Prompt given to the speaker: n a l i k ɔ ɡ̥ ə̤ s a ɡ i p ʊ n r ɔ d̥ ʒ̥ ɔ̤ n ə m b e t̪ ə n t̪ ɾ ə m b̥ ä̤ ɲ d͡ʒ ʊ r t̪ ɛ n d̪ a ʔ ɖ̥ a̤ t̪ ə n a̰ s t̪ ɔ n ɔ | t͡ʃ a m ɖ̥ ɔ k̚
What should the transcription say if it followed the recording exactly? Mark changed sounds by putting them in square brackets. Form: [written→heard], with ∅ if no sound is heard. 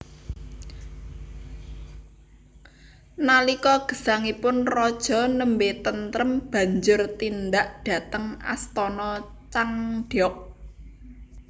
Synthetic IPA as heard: n a l i k ɔ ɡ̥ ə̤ s a [ɡ→ŋ] i p ʊ n r ɔ d̥ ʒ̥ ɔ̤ n ə m b e t̪ ə n t̪ ɾ ə m b̥ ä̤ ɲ d͡ʒ ʊ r t̪ [ɛ→i] n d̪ a ʔ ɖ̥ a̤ t̪ ə [n→ŋ] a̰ s t̪ ɔ n ɔ | t͡ʃ a [m→ŋ] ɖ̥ ɔ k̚